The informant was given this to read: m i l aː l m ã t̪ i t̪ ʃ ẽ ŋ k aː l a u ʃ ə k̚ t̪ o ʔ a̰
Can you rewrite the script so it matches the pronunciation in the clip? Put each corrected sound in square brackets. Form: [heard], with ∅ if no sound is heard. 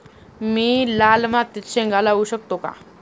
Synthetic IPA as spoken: m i l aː l m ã t̪ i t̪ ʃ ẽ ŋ [ɡ] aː l a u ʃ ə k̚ t̪ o [k] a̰